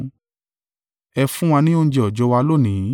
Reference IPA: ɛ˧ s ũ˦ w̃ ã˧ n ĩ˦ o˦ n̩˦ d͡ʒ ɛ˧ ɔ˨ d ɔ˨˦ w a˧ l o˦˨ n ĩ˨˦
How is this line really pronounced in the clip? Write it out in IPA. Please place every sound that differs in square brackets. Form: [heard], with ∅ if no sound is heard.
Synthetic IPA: ɛ˧ [f] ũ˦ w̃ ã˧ n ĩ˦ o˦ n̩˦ d͡ʒ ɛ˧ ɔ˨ [d͡ʒ] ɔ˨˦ w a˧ l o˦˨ n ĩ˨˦